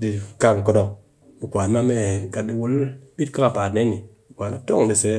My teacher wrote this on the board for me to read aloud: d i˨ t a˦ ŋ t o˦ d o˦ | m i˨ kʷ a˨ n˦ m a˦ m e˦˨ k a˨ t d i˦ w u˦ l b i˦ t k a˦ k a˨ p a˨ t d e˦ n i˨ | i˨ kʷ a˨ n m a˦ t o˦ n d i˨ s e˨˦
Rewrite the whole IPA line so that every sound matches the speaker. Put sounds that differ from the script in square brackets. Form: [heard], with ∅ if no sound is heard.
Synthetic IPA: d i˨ [k] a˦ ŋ [k] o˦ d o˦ | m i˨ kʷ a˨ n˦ m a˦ m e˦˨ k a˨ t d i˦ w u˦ l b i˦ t k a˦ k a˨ p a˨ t [n] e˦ n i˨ | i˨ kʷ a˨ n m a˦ t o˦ [ŋ] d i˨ s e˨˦